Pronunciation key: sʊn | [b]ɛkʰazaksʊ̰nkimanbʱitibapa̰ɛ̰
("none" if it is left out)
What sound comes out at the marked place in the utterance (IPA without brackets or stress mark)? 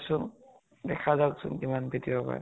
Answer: d